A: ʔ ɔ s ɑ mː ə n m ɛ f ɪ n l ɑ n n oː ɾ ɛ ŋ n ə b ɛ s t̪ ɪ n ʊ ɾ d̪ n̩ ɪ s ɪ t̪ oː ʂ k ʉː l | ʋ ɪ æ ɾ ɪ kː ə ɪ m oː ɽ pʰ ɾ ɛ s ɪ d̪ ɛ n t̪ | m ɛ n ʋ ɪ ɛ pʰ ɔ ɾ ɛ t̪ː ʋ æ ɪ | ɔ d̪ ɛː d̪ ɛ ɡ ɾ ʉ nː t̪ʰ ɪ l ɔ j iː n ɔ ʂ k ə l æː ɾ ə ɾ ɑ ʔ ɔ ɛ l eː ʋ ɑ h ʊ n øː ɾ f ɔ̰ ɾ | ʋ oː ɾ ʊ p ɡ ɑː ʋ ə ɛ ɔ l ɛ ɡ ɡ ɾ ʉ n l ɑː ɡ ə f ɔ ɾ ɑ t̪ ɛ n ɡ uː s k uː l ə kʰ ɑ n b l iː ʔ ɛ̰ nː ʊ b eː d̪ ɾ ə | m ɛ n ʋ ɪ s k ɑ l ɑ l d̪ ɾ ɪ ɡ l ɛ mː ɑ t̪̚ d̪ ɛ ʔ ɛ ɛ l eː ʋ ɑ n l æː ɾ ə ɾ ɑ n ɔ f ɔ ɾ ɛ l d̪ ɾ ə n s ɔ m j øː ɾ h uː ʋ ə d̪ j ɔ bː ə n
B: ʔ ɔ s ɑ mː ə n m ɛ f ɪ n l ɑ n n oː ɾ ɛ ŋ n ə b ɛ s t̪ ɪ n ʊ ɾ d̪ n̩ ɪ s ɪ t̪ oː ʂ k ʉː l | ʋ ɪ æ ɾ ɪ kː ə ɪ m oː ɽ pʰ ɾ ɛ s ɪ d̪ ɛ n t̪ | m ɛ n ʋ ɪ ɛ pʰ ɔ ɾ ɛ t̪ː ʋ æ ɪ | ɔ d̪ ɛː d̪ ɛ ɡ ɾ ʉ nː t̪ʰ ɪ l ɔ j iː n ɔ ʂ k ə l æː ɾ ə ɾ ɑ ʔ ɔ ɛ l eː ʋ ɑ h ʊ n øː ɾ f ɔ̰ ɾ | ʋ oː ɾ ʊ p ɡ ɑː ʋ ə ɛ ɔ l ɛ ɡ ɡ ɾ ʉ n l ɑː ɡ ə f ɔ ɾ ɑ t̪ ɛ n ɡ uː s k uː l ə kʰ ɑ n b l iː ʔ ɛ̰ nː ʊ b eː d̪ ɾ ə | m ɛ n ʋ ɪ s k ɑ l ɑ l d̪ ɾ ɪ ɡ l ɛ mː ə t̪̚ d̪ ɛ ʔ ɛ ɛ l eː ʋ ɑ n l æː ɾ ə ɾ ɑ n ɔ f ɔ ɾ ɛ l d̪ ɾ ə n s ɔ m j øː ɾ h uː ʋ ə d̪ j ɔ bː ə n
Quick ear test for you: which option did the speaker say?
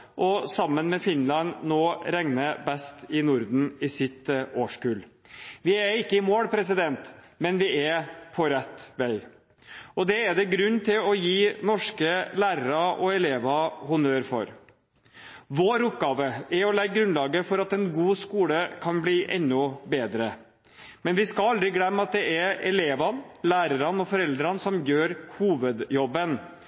A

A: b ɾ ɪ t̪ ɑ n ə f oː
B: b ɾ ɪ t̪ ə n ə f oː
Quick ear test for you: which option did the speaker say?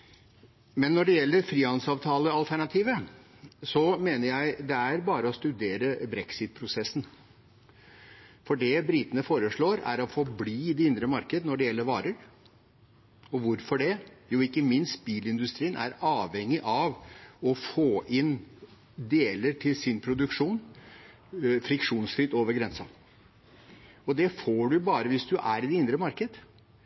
B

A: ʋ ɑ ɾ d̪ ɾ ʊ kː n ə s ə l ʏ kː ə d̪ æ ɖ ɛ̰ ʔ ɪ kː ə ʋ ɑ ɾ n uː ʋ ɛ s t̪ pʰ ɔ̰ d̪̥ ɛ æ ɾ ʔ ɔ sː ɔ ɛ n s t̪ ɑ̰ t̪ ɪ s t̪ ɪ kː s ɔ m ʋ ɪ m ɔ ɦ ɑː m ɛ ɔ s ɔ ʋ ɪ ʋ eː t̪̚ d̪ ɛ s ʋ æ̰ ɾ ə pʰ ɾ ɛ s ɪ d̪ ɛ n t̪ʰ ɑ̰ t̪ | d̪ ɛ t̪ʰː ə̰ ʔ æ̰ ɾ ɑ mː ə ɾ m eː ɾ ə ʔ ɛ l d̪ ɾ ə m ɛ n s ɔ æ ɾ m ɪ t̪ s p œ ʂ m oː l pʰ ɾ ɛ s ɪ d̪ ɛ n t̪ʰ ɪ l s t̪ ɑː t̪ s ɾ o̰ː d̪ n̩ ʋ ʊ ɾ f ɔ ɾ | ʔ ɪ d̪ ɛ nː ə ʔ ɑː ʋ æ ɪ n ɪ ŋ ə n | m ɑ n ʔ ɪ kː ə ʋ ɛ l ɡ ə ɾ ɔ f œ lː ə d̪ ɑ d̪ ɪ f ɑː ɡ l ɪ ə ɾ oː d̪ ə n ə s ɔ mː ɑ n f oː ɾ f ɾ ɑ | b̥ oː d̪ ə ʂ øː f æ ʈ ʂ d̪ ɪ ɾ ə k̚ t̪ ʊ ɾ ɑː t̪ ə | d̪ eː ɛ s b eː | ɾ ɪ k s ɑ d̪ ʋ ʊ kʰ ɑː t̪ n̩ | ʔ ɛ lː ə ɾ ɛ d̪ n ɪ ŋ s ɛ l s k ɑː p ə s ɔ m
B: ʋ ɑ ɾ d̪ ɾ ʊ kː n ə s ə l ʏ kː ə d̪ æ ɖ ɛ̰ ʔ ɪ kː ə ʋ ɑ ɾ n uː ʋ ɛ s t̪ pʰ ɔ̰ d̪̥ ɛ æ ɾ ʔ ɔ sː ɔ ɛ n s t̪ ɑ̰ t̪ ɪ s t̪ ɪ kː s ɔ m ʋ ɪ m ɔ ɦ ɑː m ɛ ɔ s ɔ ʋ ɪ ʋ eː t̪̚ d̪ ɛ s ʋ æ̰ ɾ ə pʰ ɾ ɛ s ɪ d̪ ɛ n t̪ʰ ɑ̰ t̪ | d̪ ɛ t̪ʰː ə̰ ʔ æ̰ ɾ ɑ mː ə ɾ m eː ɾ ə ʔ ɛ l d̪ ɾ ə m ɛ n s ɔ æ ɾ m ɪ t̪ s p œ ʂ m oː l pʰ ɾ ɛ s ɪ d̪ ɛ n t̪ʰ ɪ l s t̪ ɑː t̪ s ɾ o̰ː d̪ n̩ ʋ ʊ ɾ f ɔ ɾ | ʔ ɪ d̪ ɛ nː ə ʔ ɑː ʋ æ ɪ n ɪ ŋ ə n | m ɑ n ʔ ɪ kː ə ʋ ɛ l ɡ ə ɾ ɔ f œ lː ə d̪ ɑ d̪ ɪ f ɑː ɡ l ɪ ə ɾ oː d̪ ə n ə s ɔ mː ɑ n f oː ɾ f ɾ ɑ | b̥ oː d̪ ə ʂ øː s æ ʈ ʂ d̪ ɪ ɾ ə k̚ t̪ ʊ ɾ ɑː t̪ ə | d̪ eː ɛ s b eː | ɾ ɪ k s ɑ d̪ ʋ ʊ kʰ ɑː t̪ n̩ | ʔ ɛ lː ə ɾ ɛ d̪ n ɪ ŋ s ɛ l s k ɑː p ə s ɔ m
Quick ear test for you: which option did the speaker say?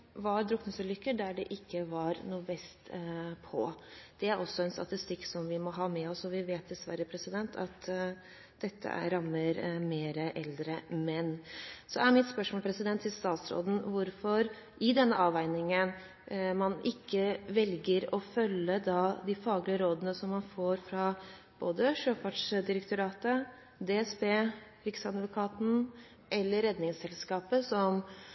A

